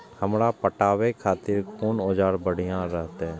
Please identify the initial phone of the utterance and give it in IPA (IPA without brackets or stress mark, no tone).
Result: h